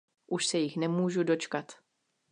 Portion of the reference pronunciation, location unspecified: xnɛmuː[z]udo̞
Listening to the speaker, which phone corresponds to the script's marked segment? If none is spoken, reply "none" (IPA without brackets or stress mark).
ʒ